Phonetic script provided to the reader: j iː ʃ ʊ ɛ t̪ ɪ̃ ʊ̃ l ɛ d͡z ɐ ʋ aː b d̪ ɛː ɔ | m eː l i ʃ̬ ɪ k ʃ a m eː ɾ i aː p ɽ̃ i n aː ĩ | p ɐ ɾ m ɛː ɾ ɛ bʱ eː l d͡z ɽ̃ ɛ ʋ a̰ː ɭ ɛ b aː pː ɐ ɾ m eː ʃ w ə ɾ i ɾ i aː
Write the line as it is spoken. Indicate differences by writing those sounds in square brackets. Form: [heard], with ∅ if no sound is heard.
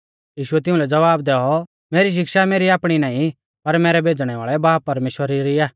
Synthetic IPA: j iː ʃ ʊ ɛ t̪ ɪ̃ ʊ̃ l ɛ d͡z ɐ ʋ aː b d̪ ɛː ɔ | m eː [ɾ] i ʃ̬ ɪ k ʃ a m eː ɾ i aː p ɽ̃ i n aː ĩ | p ɐ ɾ m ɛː ɾ ɛ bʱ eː [∅] d͡z ɽ̃ ɛ ʋ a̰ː ɭ ɛ b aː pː ɐ ɾ m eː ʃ w ə ɾ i ɾ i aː